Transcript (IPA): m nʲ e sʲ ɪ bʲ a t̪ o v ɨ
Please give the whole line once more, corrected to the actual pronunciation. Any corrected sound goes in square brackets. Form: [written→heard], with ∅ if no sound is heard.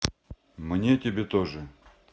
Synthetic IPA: m nʲ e [sʲ→tʲ] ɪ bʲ [a→e] t̪ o [v→ʐ] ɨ